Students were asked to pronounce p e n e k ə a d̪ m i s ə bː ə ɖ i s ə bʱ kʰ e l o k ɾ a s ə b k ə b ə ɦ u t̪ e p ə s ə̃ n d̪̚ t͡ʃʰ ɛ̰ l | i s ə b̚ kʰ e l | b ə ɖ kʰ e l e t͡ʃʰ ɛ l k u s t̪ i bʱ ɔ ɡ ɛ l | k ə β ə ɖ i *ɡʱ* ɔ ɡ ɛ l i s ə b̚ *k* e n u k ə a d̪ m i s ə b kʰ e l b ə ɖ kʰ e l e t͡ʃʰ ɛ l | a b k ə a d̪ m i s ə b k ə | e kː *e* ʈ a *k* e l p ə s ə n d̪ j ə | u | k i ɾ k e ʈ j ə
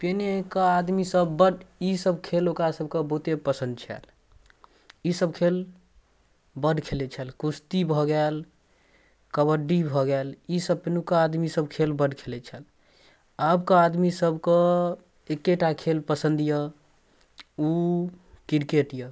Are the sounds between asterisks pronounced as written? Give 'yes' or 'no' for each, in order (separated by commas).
no, no, yes, no